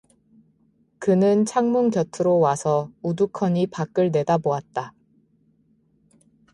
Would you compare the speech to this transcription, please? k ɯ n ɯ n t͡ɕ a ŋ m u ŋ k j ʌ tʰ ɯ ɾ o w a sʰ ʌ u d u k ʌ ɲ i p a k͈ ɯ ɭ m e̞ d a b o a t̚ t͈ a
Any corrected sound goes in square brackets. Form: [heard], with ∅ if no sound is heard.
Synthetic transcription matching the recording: k ɯ n ɯ n [t͡ɕʰ] a ŋ m u ŋ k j ʌ tʰ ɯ ɾ o w a sʰ ʌ u d u [kʰ] ʌ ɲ i p a k͈ ɯ ɭ [n] e̞ d a b o a t̚ t͈ a